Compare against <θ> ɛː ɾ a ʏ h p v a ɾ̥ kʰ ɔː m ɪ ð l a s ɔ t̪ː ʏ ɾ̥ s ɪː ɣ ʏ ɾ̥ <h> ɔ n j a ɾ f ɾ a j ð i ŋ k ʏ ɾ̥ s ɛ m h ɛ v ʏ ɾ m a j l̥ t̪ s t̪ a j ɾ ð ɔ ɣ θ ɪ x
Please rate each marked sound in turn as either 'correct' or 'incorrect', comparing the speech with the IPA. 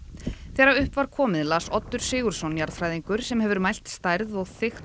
correct, incorrect: s

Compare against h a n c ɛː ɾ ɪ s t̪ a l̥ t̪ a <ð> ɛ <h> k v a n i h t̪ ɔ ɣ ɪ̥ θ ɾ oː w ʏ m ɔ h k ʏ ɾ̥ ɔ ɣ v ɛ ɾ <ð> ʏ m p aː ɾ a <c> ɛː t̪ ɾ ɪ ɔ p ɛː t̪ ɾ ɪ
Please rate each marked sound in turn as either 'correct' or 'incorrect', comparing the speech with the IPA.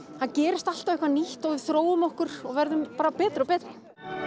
incorrect: v, correct, correct, incorrect: p

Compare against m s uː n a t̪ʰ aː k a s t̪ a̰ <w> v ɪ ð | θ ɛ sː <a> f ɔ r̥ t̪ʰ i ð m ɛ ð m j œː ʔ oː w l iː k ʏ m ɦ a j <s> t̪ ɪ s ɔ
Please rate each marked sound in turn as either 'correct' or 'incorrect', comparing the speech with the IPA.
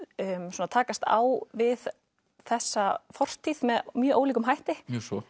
correct, correct, incorrect: h

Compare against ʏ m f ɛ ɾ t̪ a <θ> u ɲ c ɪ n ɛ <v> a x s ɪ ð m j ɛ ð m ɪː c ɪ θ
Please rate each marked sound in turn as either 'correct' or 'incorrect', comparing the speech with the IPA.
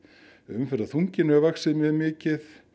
correct, correct

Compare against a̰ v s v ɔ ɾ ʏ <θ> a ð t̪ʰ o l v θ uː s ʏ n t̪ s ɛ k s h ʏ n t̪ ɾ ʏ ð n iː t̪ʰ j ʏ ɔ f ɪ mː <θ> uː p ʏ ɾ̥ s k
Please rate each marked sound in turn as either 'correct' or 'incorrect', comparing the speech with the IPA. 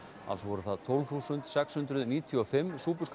correct, incorrect: s

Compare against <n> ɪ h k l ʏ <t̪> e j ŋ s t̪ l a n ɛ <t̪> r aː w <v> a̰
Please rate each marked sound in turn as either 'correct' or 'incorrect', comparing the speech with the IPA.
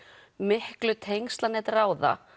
incorrect: m, incorrect: t̪ʰ, correct, incorrect: ð

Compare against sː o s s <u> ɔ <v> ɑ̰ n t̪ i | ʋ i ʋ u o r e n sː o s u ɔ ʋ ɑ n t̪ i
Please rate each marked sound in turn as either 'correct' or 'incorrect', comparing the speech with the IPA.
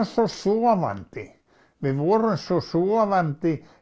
correct, incorrect: ʋ

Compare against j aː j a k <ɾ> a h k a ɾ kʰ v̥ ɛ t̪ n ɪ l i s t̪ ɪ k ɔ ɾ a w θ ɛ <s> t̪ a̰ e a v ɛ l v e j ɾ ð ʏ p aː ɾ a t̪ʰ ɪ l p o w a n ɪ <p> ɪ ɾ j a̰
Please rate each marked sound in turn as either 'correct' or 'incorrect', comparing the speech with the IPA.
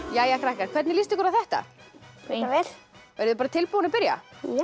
correct, incorrect: h, correct

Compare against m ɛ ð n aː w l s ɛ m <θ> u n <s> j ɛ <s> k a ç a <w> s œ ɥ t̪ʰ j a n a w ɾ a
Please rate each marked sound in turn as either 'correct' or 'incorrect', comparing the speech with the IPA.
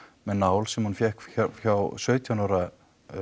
incorrect: h, incorrect: f, incorrect: h, correct

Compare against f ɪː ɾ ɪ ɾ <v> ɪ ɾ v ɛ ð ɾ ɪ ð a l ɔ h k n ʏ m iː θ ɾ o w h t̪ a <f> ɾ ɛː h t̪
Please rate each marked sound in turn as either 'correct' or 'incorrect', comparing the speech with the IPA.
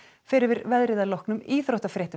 correct, correct

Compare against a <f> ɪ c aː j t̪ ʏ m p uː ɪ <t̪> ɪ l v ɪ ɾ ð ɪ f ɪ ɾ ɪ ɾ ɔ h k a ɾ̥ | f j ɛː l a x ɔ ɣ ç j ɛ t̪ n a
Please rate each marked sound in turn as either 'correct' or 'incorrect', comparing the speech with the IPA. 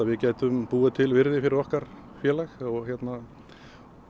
incorrect: v, incorrect: t̪ʰ

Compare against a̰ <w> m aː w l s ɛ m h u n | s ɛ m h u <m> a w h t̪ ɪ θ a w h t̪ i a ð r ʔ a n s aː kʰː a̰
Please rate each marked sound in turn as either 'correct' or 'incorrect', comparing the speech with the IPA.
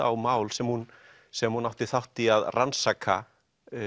correct, incorrect: n

